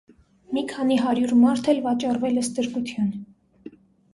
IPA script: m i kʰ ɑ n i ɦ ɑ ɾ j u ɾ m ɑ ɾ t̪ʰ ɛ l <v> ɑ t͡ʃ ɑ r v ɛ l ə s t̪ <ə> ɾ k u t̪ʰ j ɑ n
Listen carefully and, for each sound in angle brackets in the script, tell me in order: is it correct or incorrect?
correct, correct

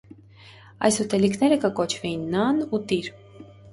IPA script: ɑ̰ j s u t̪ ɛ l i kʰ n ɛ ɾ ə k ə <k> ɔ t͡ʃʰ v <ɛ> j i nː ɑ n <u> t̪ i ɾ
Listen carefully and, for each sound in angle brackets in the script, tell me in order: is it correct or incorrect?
correct, correct, correct

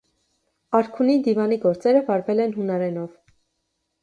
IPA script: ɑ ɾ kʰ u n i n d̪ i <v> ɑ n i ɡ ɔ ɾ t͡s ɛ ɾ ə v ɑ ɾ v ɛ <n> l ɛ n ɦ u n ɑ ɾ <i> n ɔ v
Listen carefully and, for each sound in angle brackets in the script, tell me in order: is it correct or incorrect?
correct, incorrect, incorrect

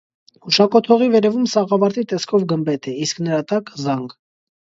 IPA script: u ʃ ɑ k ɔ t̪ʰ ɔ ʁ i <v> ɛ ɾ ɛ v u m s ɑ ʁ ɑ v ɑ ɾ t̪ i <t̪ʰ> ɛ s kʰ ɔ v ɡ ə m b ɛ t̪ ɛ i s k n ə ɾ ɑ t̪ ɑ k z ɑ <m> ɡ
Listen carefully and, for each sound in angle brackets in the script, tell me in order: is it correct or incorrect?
correct, incorrect, incorrect

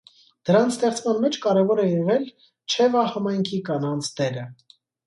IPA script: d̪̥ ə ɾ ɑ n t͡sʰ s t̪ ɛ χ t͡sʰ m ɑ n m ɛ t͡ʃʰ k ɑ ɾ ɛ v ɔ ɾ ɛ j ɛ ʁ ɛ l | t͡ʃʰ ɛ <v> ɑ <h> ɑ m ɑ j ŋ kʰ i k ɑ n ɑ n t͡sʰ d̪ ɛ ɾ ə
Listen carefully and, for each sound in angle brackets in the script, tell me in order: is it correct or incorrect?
correct, correct

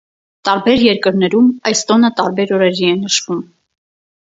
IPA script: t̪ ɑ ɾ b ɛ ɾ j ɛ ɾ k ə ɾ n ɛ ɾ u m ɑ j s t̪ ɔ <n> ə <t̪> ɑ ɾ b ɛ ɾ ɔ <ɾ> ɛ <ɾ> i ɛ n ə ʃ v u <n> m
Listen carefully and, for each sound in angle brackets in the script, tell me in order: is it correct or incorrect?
correct, correct, correct, correct, incorrect

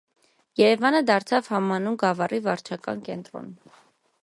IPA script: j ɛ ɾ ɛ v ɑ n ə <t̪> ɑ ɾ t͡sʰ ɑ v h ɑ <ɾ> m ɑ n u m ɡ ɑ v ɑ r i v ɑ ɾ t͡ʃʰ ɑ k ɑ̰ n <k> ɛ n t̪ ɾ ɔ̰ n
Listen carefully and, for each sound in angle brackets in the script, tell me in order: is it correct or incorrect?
incorrect, incorrect, correct

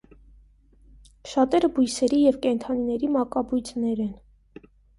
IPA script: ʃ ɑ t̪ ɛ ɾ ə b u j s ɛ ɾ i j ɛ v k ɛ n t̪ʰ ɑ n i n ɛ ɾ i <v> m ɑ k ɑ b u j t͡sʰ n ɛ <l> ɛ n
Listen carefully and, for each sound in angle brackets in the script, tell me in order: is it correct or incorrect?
incorrect, incorrect

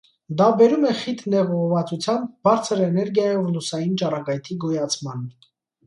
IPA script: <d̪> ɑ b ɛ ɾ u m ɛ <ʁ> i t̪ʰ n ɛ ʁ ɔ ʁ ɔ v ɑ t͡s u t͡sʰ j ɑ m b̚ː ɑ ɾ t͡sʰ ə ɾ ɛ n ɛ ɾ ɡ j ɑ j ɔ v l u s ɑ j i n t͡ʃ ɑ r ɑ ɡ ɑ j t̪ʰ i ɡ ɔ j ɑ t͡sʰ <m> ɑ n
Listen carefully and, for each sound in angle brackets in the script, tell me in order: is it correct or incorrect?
correct, incorrect, correct

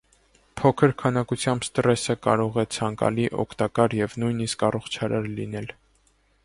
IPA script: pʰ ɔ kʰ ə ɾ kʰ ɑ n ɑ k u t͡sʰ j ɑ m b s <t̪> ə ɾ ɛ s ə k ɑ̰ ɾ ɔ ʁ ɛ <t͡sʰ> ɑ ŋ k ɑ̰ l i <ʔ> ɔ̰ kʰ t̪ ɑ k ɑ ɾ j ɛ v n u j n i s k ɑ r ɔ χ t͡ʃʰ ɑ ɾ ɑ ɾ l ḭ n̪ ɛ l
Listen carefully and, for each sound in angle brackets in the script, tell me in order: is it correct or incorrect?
correct, correct, correct

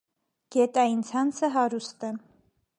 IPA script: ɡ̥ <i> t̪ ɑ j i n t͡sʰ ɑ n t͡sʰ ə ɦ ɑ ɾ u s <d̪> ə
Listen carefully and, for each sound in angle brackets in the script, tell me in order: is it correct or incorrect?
incorrect, incorrect

